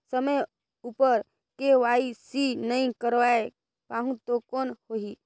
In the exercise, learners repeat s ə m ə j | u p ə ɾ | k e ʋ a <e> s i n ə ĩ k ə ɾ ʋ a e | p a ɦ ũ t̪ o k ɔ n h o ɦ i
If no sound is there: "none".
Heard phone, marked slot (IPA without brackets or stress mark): i